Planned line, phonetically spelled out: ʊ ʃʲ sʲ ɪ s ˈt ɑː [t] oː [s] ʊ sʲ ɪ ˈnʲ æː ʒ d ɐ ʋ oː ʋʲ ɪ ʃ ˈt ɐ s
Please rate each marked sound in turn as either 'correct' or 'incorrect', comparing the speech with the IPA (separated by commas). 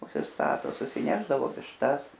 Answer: correct, correct